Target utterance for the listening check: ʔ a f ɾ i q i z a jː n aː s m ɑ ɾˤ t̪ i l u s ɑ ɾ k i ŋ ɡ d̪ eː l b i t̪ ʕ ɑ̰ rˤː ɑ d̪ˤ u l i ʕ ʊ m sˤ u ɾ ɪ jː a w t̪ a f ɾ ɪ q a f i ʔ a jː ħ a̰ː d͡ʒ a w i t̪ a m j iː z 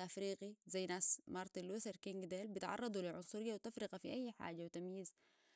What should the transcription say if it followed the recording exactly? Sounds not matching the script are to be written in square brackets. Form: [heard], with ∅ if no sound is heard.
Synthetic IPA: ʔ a f ɾ [iː] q i z a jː n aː s m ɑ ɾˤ t̪ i l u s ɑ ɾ k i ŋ ɡ d̪ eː l b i t̪ ʕ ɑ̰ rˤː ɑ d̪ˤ u l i ʕ ʊ [n] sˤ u ɾ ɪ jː a w t̪ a f ɾ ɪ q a f i ʔ a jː ħ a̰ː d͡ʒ a w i t̪ a m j iː z